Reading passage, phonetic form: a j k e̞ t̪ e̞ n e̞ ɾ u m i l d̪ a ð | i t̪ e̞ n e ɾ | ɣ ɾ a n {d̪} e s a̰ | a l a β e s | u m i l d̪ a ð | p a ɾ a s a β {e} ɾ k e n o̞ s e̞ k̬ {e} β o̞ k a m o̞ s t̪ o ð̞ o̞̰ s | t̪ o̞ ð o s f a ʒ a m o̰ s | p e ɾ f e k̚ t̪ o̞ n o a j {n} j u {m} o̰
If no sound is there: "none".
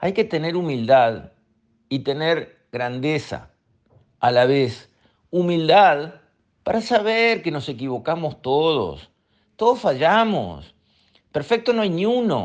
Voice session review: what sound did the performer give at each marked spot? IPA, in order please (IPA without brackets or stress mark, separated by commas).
d̪, e, i, n, n